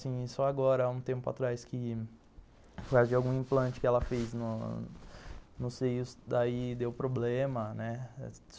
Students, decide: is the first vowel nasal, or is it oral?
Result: nasal